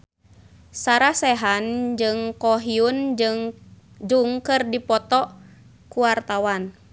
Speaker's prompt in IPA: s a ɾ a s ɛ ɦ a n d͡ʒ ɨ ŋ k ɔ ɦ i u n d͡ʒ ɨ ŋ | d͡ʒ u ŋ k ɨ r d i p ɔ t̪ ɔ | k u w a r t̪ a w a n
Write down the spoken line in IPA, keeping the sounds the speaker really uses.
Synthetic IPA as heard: s a ɾ a s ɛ ɦ a n d͡ʒ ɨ ŋ k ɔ ɦ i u n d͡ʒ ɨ ŋ | d͡ʒ u ŋ k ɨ r d i p ɔ t̪ ɔ | k u w a r t̪ a w a n

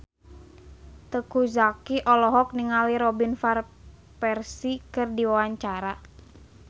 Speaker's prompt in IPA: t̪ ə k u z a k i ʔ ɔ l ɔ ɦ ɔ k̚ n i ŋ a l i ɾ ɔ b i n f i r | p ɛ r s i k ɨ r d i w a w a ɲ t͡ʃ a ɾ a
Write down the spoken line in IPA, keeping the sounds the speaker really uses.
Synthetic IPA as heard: t̪ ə k u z a k i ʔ ɔ l ɔ ɦ ɔ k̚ n i ŋ a l i ɾ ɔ b i n f a r | p ɛ r s i k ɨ r d i w a w a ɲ t͡ʃ a ɾ a

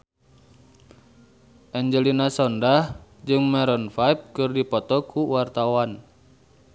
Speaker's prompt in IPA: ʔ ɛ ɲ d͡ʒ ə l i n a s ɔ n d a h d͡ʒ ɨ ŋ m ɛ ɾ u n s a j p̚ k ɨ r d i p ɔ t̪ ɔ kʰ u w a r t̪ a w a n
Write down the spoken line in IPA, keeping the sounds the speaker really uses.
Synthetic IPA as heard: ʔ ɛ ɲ d͡ʒ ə l i n a s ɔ n d a h d͡ʒ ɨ ŋ m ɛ ɾ ɔ n f a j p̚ k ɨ r d i p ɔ t̪ ɔ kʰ u w a r t̪ a w a n

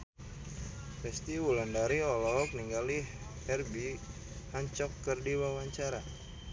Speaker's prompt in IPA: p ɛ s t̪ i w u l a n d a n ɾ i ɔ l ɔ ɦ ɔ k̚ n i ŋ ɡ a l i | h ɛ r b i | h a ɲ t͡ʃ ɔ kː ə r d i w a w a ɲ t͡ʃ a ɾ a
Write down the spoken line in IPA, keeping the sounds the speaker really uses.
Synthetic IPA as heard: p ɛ s t̪ i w u l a n d a ɾ i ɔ l ɔ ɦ ɔ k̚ n i ŋ ɡ a l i | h ɛ r b i | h a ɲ t͡ʃ ɔ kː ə r d i w a w a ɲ t͡ʃ a ɾ a

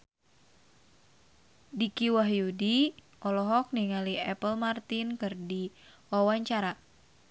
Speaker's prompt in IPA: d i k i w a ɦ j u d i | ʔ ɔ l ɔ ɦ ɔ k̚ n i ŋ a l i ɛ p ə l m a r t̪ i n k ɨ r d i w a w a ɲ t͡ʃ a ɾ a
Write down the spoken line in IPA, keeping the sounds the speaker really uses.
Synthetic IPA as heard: d i k i w a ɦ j u d i | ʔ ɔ l ɔ ɦ ɔ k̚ n i ŋ a l i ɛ p ə l m a r t̪ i n k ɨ r d i w a w a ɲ t͡ʃ a ɾ a

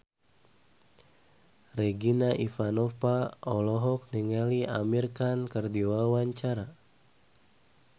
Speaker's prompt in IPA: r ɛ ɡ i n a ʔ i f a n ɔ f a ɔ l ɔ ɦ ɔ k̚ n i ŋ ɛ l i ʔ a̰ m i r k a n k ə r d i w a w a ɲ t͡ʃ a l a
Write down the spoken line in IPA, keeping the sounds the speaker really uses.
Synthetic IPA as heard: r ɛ ɡ i n a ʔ i f a n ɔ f a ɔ l ɔ ɦ ɔ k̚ n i ŋ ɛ l i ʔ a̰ m i r k a n k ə r d i w a w a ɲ t͡ʃ a ɾ a

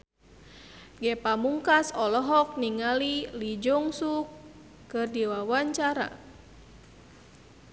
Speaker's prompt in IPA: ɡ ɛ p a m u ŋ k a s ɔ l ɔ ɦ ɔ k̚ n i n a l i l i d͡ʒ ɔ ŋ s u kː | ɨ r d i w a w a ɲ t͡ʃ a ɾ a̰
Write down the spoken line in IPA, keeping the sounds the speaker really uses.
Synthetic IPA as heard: ɡ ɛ p a m u ŋ k a s ɔ l ɔ ɦ ɔ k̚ n i ŋ a l i l i d͡ʒ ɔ ŋ s u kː | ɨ r d i w a w a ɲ t͡ʃ a ɾ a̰

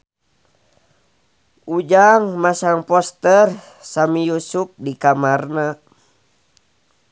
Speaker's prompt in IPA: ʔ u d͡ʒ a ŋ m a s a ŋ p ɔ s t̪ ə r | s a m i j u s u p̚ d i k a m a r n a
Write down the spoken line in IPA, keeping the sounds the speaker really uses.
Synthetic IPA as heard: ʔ u d͡ʒ a ŋ m a s a ŋ p ɔ s t̪ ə r | s a m i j u s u p̚ d i k a m a r n a

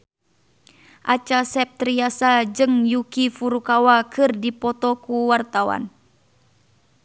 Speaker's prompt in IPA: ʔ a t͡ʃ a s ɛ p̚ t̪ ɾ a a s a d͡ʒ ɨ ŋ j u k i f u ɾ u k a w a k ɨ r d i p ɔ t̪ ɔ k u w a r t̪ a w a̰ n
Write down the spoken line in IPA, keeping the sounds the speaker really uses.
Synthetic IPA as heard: ʔ a t͡ʃ a s ɛ p̚ t̪ ɾ i a s a d͡ʒ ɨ ŋ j u k i f u ɾ u k a w a k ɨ r d i p ɔ t̪ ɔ k u w a r t̪ a w a̰ n

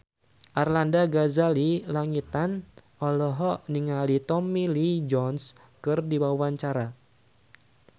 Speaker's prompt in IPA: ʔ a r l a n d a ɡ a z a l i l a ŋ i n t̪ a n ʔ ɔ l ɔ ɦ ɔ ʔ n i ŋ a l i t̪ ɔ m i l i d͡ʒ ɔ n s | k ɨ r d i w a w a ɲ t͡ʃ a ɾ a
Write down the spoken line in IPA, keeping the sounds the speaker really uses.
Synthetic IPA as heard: ʔ a r l a n d a ɡ a z a l i l a ŋ i t̪ a n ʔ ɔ l ɔ ɦ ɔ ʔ n i ŋ a l i t̪ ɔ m i l i d͡ʒ ɔ n s | k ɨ r d i w a w a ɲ t͡ʃ a ɾ a

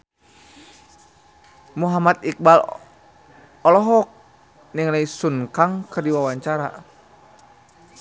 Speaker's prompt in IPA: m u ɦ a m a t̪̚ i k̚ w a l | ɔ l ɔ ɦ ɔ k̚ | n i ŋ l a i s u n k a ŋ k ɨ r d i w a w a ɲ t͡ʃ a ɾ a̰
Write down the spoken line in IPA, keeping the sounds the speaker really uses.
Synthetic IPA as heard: m u ɦ a m a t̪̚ i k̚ b a l | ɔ l ɔ ɦ ɔ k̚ | n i ŋ l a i s u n k a ŋ k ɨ r d i w a w a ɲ t͡ʃ a ɾ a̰

